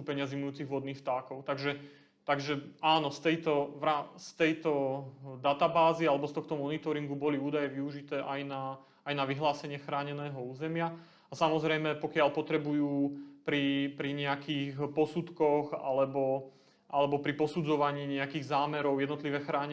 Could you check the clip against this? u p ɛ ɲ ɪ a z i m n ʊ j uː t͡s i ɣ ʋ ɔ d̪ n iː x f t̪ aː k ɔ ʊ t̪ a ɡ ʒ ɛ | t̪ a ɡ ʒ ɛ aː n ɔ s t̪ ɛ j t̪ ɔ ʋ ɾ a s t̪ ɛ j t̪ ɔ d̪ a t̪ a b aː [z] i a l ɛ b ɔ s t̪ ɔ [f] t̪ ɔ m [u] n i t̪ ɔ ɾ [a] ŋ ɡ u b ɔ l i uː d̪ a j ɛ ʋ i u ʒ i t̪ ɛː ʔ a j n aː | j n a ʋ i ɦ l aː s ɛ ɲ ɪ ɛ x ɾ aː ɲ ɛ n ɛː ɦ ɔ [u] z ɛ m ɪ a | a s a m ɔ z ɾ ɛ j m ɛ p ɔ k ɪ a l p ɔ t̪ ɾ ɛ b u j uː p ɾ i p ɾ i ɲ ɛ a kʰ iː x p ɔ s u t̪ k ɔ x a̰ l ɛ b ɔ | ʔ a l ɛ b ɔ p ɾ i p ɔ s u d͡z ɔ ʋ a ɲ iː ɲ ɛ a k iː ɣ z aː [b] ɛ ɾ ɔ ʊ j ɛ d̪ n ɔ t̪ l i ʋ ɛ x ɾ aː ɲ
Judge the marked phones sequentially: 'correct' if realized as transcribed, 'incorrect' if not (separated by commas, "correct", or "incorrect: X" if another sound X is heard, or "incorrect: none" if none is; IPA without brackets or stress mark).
correct, incorrect: x, incorrect: ɔ, incorrect: i, incorrect: uː, incorrect: m